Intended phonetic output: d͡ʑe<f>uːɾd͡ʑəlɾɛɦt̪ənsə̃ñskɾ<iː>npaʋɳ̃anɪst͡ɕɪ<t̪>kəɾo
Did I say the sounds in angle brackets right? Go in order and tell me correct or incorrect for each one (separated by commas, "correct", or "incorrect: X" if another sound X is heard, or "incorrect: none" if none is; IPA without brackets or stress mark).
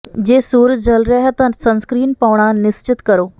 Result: incorrect: s, correct, correct